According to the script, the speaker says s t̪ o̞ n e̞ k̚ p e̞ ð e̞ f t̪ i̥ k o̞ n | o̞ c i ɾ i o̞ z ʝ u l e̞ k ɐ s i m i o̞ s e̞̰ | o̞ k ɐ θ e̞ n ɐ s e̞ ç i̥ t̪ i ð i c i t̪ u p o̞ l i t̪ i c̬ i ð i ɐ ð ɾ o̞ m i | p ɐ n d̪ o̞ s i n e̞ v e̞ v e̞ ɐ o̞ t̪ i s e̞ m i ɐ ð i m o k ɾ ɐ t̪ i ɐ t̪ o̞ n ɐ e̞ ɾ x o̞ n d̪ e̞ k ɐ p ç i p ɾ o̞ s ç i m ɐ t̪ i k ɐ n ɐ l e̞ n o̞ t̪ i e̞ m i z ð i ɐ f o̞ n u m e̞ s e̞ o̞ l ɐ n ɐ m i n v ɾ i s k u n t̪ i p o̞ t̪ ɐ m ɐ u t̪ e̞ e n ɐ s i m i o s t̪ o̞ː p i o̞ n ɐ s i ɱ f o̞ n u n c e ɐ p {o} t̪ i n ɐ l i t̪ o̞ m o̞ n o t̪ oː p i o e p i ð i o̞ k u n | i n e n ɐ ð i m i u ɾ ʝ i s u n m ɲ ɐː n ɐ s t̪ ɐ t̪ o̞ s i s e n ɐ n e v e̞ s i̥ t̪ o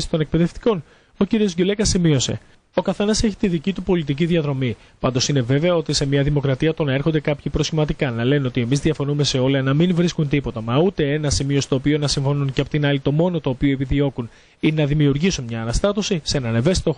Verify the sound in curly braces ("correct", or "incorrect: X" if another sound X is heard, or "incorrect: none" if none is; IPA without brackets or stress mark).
correct